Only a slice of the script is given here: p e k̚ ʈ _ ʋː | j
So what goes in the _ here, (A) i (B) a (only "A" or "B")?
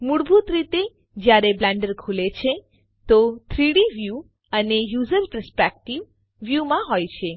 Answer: A